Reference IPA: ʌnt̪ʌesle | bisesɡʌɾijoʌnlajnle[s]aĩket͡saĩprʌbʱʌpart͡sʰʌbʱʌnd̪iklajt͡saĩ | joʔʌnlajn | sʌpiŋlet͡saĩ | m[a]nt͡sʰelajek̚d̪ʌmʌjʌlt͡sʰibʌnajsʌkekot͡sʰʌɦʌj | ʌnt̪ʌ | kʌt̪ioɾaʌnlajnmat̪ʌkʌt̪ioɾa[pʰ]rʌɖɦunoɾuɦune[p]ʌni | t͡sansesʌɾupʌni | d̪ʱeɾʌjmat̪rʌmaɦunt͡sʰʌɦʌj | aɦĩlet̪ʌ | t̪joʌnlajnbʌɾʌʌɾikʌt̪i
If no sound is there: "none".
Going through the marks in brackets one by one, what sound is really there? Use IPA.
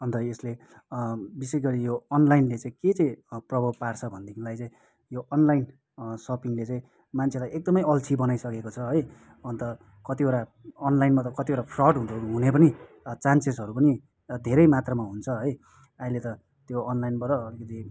t͡s, a, pʰ, p

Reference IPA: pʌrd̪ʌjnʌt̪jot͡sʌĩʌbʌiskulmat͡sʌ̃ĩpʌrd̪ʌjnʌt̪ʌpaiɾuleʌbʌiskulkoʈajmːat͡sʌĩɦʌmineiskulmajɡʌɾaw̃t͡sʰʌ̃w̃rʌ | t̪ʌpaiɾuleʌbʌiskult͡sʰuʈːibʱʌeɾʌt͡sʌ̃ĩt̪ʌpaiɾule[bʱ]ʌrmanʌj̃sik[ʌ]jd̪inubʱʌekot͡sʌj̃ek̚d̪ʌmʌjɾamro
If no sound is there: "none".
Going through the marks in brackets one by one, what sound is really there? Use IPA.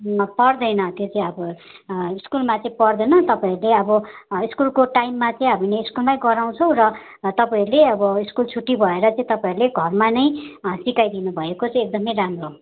ɡʱ, a

